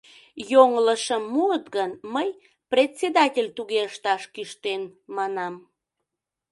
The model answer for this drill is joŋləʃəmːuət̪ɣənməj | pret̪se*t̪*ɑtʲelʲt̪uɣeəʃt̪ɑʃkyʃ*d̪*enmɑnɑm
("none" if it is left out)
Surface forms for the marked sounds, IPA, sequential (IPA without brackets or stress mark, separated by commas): d̪, t̪